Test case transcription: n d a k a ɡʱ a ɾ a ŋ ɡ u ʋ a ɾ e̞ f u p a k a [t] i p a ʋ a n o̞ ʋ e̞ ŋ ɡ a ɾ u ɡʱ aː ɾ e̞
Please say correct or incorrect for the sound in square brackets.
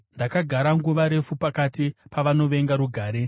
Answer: correct